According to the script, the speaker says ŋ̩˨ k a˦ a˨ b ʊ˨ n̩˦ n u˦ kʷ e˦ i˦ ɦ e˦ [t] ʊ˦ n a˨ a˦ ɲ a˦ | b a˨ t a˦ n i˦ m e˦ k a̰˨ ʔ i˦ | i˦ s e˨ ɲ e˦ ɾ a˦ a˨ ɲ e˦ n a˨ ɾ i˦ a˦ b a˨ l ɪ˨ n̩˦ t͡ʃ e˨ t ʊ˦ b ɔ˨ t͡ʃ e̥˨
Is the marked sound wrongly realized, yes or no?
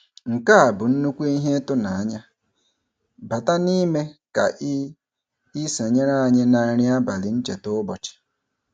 no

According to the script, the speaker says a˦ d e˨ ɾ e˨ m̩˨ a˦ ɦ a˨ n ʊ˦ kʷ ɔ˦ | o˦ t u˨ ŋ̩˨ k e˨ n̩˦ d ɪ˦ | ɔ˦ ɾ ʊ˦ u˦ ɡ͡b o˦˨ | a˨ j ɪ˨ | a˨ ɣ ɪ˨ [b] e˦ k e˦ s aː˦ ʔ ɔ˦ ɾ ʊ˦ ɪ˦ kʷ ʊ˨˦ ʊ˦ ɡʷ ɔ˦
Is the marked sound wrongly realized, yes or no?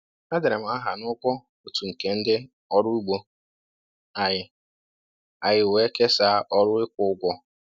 yes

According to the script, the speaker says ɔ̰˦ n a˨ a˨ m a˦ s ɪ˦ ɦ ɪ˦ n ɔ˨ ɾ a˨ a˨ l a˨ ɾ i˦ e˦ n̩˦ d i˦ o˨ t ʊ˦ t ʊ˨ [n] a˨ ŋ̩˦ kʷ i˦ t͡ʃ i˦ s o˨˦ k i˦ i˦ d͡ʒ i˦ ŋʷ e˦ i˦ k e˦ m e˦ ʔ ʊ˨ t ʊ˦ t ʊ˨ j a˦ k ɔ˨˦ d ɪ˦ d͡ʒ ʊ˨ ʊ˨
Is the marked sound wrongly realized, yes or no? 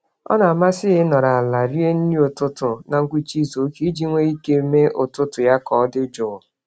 no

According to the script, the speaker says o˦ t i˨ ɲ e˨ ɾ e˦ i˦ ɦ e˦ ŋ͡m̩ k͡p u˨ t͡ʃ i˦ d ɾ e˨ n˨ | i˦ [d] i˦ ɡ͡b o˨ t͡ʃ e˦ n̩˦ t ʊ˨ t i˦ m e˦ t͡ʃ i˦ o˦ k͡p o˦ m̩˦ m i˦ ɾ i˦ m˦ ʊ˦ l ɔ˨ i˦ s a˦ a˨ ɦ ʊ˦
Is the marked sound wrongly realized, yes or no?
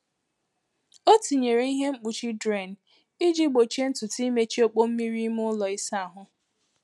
yes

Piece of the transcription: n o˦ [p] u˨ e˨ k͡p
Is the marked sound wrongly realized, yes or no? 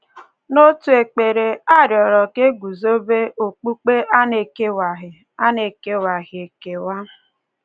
yes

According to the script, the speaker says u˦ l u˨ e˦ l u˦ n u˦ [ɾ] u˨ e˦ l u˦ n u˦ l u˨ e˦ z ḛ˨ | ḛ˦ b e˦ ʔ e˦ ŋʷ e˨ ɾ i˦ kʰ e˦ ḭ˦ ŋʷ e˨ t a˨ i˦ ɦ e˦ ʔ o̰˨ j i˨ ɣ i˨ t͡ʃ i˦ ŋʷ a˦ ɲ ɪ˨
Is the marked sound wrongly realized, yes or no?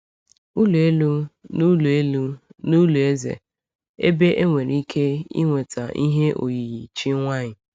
yes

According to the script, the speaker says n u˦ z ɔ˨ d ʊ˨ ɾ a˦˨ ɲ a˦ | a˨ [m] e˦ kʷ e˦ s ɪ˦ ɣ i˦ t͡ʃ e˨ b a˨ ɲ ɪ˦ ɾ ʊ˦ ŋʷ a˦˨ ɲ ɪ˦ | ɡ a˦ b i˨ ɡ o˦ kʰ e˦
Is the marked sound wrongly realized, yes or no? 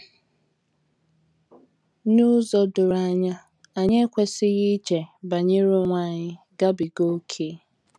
yes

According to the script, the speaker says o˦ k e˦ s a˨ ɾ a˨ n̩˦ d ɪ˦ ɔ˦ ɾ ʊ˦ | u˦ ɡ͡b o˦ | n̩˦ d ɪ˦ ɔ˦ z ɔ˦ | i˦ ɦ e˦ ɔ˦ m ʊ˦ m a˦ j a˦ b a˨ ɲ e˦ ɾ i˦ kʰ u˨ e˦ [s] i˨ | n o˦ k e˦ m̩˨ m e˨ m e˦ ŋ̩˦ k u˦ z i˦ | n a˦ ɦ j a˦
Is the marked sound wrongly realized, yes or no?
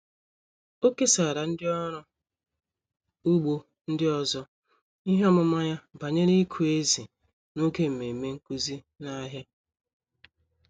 yes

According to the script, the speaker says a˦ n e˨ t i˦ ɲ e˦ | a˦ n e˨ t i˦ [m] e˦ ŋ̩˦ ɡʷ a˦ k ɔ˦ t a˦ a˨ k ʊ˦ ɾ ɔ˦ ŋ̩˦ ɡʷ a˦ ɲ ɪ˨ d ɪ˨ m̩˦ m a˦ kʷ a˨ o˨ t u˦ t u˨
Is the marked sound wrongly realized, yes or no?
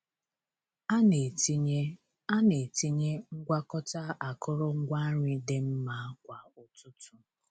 yes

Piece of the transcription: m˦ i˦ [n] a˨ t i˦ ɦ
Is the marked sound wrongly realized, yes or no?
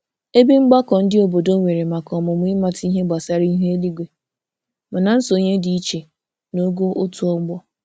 yes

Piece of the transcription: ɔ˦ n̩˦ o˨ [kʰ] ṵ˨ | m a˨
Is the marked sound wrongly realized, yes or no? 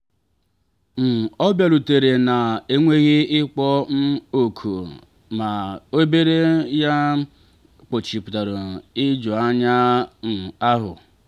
no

